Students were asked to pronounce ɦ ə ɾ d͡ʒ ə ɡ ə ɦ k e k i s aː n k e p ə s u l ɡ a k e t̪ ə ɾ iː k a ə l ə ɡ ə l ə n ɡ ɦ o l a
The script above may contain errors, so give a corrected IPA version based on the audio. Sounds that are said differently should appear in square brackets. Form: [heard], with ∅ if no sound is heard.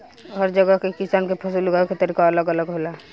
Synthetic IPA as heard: ɦ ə ɾ d͡ʒ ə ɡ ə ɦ k e k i s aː n k e [pʰ] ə s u l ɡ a k e t̪ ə ɾ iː k a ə l ə ɡ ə l ə [∅] ɡ ɦ o l a